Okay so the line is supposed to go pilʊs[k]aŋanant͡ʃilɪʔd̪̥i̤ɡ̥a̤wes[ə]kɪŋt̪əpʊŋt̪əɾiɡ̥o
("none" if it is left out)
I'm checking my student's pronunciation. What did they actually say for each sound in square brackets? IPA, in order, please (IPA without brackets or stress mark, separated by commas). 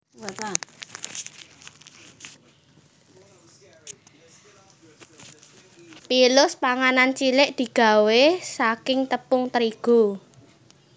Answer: p, a